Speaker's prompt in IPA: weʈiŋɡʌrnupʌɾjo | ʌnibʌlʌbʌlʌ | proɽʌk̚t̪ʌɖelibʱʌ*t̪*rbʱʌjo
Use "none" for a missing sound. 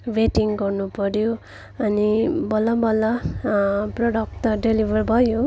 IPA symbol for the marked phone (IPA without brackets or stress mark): none